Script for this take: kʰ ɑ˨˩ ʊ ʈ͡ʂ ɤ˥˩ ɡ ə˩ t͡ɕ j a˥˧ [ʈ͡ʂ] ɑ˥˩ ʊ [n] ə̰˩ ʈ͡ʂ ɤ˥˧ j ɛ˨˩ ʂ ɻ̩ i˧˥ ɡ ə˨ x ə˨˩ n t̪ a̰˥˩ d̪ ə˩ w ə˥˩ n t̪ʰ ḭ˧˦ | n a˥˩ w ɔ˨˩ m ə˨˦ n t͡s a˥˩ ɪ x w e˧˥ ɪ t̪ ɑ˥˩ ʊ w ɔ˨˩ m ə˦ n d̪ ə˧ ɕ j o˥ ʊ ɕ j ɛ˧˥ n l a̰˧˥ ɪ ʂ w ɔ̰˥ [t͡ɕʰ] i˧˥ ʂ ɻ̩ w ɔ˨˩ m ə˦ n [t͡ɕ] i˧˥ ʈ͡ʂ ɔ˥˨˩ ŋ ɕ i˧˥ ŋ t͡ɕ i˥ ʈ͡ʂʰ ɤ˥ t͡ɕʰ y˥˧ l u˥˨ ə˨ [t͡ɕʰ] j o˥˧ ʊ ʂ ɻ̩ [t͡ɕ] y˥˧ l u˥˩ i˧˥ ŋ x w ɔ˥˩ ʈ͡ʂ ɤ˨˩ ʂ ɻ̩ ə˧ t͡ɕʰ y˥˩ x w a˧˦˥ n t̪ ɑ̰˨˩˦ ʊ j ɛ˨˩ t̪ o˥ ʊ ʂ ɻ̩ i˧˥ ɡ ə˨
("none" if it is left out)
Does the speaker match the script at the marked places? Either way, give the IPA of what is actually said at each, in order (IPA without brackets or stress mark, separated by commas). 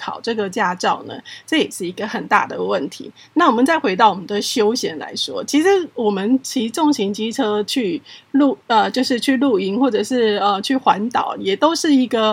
ʈ͡ʂ, n, t͡ɕʰ, t͡ɕʰ, t͡ɕ, t͡ɕʰ